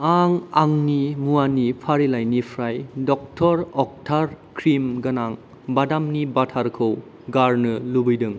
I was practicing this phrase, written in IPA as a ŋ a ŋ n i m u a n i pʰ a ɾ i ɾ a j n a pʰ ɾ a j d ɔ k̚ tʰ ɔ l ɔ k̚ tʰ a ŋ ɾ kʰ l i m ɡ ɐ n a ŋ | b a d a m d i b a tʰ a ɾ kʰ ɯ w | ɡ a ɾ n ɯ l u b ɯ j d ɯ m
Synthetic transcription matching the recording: a ŋ a ŋ n i m u a n i pʰ a ɾ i l a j n i pʰ ɾ a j d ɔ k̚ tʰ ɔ ɾ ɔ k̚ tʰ a ɾ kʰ ɾ i m ɡ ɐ n a ŋ | b a d a m n i b a tʰ a ɾ kʰ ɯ w | ɡ a ɾ n ɯ l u b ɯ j d ɯ ŋ